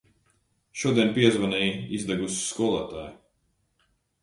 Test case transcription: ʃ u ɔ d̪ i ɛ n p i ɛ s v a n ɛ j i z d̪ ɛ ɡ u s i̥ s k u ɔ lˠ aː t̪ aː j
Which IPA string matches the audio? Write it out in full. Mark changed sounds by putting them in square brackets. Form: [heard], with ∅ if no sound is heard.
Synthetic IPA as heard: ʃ u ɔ d̪ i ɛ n p i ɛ [z] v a n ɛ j i z d̪ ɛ ɡ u s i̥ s k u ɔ lˠ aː t̪ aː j